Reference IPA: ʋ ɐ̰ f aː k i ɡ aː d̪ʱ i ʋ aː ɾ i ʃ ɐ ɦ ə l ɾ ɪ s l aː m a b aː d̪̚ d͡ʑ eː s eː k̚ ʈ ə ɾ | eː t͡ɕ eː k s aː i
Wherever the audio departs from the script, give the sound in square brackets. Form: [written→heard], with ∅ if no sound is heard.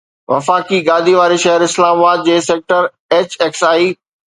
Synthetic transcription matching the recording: ʋ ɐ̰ f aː k i ɡ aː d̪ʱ i ʋ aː ɾ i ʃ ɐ ɦ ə [l→∅] ɾ ɪ s l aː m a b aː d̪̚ d͡ʑ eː s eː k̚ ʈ ə ɾ | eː t͡ɕ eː k s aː i